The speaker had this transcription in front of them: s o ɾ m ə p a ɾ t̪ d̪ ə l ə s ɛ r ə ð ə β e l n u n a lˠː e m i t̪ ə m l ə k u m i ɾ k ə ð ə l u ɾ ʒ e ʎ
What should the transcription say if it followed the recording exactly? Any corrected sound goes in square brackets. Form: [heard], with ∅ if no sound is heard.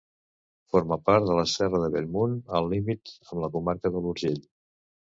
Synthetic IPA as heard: [f] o ɾ m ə p a ɾ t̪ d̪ ə l ə s ɛ r ə ð ə β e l [m] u n [ə] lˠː [i] m i t̪ ə m l ə k u m [a] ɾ k ə ð ə l u ɾ ʒ e ʎ